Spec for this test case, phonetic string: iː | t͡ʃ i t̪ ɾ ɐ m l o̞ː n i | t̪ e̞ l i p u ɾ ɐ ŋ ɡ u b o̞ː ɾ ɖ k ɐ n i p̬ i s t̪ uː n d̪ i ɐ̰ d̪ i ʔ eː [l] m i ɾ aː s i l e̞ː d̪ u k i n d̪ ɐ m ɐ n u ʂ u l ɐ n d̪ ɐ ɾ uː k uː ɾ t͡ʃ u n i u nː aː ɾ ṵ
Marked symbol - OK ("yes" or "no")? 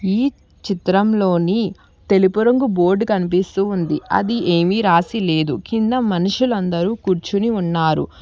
no